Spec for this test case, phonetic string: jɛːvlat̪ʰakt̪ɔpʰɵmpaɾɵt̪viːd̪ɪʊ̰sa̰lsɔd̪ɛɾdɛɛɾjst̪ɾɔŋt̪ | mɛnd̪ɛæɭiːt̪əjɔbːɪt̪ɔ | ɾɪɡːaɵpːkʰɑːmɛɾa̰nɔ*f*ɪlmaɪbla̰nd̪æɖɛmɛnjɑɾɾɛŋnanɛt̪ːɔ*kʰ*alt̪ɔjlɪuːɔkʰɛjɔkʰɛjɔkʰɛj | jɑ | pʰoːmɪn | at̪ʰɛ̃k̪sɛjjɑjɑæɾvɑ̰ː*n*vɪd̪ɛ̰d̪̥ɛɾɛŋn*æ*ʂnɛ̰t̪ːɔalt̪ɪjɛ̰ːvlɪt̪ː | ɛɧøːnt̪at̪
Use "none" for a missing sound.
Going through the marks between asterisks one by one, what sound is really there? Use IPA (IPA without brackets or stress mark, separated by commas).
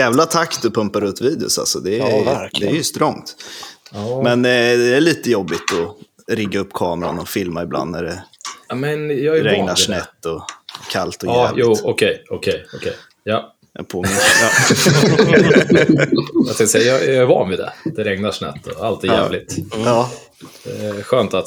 f, kʰ, n, a